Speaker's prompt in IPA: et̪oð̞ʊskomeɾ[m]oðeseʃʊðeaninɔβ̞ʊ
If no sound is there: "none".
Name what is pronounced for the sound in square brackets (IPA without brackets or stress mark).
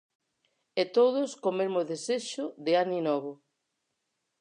m